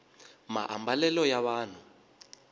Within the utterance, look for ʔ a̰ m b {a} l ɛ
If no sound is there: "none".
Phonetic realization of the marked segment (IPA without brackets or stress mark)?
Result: a